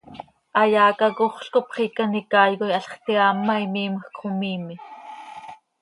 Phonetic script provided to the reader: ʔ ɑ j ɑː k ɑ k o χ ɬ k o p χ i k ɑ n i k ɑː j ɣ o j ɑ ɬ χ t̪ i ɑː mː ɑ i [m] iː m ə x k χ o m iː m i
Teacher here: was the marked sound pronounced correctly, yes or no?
yes